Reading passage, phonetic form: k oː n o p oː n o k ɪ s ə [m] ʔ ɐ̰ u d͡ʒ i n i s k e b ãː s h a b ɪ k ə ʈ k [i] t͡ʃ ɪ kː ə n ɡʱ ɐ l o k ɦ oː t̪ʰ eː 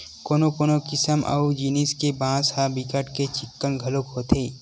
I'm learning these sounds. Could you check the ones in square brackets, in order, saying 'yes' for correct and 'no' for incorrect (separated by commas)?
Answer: yes, no